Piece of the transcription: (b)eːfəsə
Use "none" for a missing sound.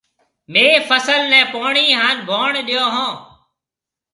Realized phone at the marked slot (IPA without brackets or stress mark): m